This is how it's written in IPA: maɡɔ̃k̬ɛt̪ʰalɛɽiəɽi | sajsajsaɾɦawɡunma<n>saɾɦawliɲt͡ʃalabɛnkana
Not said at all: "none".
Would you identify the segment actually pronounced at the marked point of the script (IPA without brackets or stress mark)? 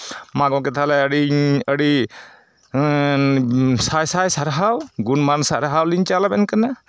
n